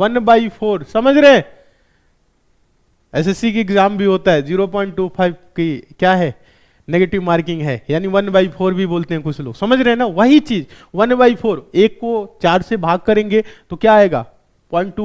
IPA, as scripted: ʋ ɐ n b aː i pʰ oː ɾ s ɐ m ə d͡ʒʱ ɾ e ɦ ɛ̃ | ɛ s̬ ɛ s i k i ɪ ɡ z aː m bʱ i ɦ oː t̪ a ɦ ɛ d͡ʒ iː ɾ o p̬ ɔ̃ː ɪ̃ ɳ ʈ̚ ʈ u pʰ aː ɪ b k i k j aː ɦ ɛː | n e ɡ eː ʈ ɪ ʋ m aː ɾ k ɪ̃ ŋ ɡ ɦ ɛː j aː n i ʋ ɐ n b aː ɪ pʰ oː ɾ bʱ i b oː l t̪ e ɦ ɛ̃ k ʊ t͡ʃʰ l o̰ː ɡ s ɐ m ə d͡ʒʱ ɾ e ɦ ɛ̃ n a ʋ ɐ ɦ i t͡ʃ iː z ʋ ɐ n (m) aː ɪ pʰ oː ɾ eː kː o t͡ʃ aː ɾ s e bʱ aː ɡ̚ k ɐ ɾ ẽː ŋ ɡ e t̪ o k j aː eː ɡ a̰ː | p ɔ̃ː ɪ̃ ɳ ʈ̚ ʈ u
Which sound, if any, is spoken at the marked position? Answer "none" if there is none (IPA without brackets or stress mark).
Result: b